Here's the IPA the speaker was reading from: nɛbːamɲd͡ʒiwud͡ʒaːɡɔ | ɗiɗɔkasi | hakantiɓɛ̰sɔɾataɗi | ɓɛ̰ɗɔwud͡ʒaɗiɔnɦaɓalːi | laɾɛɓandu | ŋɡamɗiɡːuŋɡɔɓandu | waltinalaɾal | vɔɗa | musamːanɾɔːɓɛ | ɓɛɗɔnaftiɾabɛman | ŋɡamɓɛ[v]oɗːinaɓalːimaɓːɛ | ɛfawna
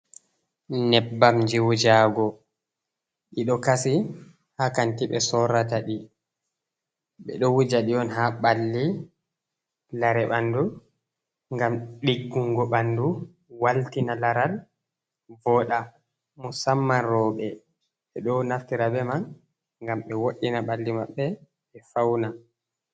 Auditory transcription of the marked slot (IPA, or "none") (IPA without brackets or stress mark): w